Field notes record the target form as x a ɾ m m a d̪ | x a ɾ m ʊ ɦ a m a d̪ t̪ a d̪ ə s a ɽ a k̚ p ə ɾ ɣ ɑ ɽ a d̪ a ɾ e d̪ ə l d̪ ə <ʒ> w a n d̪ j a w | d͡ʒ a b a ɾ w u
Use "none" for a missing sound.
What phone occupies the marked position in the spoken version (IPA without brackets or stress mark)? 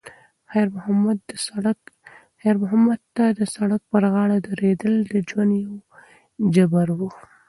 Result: d͡ʒ